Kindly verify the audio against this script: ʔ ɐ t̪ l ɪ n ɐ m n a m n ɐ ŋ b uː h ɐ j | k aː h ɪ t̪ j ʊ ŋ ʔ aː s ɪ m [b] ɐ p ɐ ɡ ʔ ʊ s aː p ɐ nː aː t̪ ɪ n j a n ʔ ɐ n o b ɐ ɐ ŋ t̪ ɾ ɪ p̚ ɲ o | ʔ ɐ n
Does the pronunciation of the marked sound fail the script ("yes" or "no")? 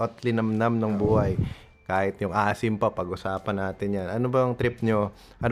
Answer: yes